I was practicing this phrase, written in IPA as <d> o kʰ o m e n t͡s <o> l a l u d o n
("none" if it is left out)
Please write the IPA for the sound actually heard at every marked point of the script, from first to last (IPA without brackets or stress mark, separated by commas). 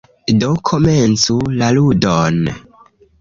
d, u